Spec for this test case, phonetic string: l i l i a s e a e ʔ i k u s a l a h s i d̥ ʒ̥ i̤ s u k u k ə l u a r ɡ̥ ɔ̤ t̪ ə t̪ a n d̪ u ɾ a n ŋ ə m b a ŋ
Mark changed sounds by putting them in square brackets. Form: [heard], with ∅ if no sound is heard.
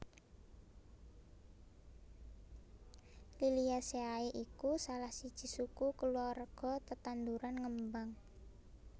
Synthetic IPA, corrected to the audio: l i l i a s e a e ʔ i k u s a l a h s i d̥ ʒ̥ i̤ s u k u k ə l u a r ɡ̥ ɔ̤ t̪ ə t̪ a n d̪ u ɾ a n ŋ ə m b a ŋ